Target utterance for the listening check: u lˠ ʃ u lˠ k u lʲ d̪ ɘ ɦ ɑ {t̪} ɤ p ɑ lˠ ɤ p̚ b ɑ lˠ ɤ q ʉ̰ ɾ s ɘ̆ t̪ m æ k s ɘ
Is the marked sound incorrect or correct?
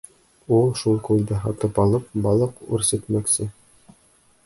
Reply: correct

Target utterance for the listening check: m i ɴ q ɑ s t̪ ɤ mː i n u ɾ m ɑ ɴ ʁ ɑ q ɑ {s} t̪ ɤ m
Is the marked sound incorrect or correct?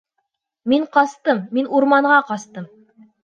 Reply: correct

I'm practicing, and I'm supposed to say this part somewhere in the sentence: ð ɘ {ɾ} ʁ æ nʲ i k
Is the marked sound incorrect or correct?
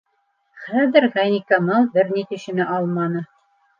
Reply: correct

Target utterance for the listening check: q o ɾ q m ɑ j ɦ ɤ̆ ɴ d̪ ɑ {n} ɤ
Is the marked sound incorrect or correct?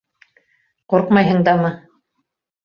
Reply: incorrect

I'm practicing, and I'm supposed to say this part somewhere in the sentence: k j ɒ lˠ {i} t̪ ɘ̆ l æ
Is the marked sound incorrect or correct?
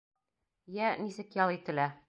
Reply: correct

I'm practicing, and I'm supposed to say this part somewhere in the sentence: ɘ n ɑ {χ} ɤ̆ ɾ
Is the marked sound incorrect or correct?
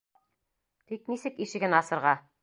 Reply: incorrect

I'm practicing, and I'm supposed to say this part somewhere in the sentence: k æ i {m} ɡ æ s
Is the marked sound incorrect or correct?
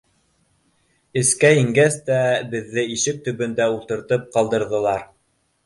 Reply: incorrect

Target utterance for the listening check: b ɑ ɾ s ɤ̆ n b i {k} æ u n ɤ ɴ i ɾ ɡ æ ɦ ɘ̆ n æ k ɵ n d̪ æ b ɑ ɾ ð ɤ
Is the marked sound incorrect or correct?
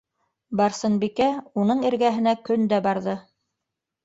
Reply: correct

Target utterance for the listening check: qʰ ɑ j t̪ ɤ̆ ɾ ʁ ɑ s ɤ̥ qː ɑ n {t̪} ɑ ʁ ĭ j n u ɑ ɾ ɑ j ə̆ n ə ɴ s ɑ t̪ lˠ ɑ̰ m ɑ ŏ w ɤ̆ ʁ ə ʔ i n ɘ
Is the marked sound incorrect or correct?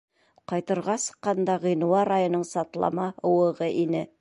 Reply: incorrect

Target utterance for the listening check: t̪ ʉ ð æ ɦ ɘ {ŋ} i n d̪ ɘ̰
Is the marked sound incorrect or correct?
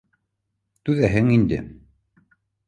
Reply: correct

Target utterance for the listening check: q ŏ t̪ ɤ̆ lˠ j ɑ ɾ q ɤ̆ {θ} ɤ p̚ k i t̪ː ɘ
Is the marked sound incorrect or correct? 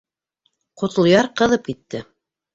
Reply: incorrect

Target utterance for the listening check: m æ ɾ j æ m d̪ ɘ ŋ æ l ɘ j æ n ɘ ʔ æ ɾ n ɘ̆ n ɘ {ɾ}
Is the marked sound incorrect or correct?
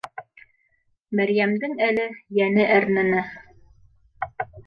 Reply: incorrect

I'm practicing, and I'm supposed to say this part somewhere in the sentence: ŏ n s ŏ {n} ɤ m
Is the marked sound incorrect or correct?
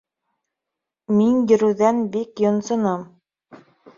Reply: correct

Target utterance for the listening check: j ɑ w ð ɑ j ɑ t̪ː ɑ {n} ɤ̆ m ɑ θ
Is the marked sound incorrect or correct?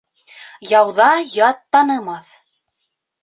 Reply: correct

